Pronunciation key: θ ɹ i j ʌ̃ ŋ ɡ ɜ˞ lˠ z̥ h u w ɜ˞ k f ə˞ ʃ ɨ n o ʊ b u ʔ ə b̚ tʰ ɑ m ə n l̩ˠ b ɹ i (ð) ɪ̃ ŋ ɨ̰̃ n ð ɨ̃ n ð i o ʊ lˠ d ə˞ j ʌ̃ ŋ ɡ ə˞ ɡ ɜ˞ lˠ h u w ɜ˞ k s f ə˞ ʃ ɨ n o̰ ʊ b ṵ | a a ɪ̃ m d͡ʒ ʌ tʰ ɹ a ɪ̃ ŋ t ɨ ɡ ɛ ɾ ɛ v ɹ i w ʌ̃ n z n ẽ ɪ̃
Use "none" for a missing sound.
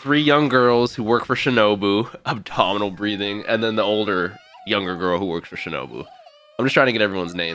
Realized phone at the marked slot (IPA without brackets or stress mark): ð